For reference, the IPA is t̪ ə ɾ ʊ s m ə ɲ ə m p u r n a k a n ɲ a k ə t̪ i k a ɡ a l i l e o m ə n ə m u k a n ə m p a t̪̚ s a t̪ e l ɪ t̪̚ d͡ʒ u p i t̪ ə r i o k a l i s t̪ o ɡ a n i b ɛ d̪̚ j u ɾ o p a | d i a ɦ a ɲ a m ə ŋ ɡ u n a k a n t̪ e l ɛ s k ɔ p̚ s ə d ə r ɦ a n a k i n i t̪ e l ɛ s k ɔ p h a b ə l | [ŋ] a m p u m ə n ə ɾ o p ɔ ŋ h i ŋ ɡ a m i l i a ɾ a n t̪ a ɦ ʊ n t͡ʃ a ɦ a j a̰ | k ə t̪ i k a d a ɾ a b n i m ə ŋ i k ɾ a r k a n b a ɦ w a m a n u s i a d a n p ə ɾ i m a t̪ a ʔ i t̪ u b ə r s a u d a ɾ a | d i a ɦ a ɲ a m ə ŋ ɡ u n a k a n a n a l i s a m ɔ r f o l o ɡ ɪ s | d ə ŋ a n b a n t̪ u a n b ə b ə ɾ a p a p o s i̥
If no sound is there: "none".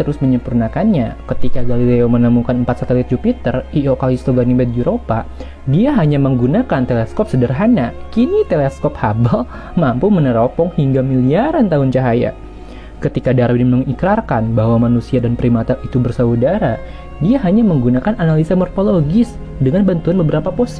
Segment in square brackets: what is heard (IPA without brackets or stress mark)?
m